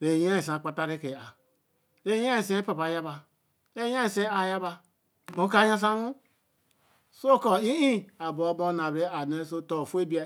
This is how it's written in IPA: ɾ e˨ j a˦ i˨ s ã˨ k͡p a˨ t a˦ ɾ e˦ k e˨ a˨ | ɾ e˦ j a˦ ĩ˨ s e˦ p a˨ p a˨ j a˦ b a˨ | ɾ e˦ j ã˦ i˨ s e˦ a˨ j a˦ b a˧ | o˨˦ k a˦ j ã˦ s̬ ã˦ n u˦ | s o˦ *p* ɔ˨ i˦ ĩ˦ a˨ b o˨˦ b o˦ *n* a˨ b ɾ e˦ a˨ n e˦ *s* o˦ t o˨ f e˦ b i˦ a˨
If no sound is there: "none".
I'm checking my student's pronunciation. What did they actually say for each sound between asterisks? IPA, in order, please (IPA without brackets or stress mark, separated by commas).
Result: k, n, s